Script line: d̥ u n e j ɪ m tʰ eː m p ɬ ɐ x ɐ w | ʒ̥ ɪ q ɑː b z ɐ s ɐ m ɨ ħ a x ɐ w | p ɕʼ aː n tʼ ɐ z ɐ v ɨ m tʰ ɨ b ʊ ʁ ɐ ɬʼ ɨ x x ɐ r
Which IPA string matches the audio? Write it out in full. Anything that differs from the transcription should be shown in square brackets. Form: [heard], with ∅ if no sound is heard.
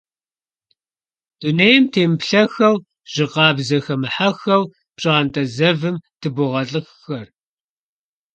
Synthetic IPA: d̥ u n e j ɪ m tʰ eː m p ɬ ɐ x ɐ w | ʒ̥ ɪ q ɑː b z ɐ [x] ɐ m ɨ ħ a x ɐ w | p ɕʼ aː n tʼ ɐ z ɐ v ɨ m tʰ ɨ b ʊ ʁ ɐ ɬʼ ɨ x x ɐ r